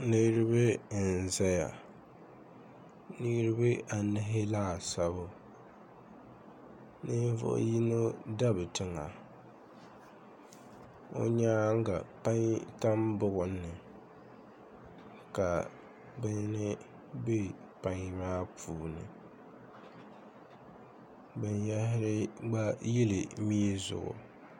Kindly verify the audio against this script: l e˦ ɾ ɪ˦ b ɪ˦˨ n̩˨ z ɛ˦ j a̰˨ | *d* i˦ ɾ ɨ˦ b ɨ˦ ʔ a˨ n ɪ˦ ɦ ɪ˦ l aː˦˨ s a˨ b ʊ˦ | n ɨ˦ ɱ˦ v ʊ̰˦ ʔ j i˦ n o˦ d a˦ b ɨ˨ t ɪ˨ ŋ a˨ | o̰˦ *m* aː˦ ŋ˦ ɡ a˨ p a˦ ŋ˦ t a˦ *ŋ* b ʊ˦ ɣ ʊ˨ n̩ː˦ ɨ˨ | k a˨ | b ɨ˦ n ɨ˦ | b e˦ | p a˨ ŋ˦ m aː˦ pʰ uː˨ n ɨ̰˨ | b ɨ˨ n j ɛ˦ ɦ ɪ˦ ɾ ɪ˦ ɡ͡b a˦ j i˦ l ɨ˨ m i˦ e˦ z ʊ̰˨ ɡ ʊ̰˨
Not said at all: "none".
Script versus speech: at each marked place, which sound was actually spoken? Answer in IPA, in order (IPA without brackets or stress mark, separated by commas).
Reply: n, ɲ, m